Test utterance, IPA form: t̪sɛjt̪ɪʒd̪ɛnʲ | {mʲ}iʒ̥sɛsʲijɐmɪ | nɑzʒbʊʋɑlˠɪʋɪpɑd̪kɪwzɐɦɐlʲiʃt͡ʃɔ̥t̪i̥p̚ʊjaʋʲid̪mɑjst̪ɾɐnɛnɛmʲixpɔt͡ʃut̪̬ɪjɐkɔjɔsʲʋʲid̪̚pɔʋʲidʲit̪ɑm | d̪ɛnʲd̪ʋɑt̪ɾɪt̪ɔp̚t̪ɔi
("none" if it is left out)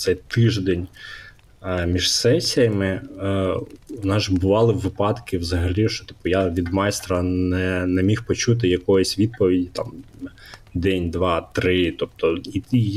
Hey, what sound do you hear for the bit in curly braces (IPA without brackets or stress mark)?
mʲ